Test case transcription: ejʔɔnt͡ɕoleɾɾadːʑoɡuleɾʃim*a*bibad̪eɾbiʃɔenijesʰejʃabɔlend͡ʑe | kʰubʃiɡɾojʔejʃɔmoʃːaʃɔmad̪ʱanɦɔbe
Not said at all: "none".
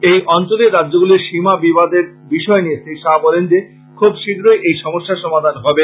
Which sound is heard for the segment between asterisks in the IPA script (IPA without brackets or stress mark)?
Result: a